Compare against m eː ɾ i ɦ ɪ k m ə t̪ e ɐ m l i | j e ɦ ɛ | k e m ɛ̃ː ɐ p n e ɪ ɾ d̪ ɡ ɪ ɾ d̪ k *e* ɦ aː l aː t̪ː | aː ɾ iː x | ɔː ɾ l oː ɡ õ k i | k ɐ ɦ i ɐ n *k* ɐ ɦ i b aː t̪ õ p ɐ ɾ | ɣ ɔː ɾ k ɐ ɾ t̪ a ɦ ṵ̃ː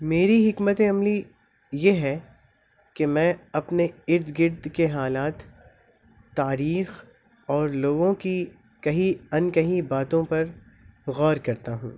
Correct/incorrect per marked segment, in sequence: correct, correct

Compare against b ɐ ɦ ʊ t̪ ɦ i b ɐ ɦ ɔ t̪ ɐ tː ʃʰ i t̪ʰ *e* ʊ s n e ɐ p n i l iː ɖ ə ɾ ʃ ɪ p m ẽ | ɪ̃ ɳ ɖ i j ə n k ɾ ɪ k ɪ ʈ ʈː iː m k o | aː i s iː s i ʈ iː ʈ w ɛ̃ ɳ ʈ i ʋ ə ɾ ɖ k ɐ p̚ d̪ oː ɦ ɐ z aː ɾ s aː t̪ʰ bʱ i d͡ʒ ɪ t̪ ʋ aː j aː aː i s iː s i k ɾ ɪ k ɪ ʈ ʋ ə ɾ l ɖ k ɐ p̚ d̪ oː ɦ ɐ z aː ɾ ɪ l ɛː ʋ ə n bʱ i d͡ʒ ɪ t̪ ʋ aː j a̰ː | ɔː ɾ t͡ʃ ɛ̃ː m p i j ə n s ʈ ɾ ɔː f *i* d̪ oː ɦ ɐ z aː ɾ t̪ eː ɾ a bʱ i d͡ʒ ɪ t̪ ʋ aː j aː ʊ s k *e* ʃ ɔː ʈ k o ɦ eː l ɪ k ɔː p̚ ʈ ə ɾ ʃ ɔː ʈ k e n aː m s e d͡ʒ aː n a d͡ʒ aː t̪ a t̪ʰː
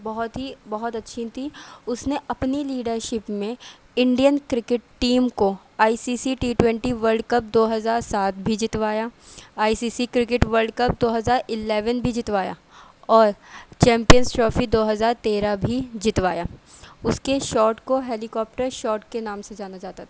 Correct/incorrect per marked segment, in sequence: incorrect: i, correct, correct

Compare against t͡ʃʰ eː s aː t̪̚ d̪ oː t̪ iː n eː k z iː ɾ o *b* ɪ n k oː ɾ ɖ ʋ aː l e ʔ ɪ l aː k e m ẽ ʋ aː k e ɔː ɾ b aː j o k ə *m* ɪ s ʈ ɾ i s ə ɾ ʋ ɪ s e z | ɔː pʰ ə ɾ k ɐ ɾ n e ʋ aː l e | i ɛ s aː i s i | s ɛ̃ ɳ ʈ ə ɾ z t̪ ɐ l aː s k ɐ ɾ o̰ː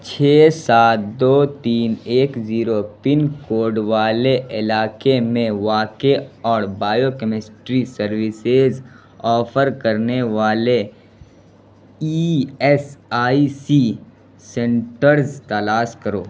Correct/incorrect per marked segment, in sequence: incorrect: p, correct

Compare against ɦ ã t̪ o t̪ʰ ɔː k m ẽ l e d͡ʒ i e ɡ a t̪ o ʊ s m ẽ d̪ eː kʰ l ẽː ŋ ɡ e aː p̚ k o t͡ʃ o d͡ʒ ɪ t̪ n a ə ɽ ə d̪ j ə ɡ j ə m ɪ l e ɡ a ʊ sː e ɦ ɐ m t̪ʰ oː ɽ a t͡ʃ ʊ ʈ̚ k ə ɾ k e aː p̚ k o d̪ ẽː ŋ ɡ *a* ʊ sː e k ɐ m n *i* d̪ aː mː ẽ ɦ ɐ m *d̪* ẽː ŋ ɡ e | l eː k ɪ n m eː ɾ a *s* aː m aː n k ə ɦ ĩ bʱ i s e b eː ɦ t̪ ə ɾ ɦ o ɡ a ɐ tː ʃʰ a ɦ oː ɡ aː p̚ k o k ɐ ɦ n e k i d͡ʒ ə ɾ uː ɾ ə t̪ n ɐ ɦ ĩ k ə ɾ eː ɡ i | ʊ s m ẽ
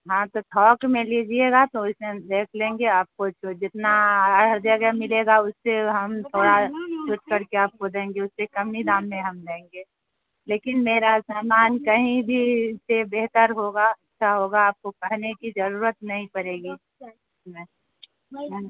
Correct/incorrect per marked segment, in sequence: incorrect: e, correct, correct, correct

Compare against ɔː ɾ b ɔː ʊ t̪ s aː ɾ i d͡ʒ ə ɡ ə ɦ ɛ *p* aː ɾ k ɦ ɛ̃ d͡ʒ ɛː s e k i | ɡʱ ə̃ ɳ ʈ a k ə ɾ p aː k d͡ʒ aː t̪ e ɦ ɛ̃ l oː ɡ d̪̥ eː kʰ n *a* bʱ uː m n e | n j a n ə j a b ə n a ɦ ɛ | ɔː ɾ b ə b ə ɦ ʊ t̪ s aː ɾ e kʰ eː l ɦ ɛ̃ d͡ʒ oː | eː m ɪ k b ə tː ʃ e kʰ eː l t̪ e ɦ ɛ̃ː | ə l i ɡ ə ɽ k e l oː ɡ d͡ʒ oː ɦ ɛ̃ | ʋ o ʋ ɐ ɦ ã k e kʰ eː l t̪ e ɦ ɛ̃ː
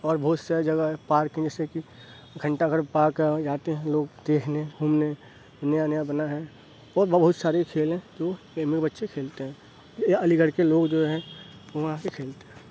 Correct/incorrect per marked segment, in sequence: correct, incorrect: e

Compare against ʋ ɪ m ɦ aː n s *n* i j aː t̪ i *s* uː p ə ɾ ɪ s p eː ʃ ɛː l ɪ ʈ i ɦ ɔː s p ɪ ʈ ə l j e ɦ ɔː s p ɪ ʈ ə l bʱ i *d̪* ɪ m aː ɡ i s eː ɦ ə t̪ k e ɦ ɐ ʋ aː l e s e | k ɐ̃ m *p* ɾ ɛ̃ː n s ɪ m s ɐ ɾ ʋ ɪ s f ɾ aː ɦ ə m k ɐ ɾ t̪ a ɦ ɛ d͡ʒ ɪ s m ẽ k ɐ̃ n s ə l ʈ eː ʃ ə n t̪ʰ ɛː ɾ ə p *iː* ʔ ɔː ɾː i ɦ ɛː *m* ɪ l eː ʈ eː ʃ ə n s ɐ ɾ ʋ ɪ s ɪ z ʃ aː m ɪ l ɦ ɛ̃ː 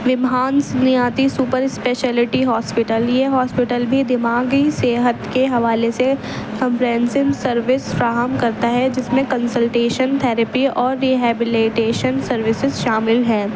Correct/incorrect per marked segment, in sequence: correct, correct, correct, correct, incorrect: i, incorrect: b

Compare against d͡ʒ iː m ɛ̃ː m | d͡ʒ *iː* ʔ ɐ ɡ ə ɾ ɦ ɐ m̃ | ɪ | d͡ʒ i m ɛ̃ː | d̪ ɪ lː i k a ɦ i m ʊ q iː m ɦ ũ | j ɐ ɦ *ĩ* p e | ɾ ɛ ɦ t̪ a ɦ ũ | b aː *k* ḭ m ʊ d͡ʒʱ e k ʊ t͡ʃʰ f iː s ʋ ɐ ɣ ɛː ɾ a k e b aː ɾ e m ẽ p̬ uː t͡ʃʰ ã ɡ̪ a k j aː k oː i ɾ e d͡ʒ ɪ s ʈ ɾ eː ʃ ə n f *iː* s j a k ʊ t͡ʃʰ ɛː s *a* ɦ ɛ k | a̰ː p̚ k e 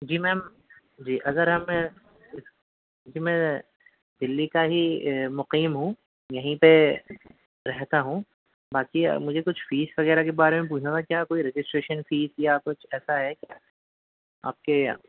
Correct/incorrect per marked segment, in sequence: correct, correct, correct, correct, correct

